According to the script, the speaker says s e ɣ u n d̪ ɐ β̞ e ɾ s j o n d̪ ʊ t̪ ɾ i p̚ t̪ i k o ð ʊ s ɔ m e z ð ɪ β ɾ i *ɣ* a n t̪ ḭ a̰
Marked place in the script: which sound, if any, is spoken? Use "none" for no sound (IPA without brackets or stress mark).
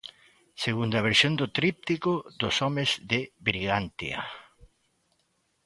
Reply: ɣ